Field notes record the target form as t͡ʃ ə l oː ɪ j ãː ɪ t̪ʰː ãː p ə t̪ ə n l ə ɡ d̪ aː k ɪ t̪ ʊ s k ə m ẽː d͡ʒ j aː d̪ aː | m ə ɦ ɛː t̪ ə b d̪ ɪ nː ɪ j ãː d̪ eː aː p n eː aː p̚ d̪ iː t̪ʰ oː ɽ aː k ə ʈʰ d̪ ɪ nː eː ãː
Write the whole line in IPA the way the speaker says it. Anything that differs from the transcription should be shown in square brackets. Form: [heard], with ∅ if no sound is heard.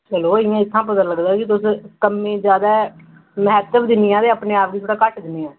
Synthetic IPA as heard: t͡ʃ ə l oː ɪ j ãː ɪ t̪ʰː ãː p ə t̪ ə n l ə ɡ d̪ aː k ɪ t̪ ʊ s k ə m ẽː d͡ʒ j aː d̪ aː | m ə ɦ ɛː t̪ ə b d̪ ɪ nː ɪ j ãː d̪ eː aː p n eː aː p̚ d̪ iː t̪ʰ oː ɽ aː k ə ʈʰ d̪ ɪ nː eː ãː